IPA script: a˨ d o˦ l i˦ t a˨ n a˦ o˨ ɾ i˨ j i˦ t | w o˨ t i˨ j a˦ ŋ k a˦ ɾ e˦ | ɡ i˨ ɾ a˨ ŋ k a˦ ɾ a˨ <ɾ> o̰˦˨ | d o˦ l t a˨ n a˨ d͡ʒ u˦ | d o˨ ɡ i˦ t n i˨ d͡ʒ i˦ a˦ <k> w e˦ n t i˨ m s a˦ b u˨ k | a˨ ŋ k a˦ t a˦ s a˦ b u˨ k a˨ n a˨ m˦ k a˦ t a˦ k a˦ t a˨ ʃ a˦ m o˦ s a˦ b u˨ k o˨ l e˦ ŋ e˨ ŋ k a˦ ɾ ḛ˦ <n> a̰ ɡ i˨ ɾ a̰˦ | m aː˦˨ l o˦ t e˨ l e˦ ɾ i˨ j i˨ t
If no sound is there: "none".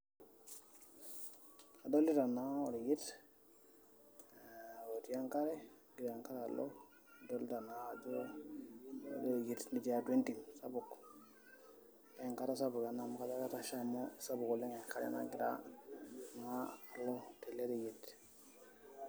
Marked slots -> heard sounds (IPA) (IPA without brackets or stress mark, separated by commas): l, t, n